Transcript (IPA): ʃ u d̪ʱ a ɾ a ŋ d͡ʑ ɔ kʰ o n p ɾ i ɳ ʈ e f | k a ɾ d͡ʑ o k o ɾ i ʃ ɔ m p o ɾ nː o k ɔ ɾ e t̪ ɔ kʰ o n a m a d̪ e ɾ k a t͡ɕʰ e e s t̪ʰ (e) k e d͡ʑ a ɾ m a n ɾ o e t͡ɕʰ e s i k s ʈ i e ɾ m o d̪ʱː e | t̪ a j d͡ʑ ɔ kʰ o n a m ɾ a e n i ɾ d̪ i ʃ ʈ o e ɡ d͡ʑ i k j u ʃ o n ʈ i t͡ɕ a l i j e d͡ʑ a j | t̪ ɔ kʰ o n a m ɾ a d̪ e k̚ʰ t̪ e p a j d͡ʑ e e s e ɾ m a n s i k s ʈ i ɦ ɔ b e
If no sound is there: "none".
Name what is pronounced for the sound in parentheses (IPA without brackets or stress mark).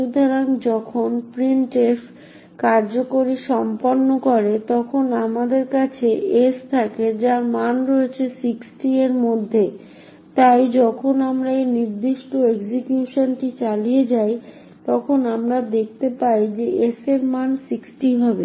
a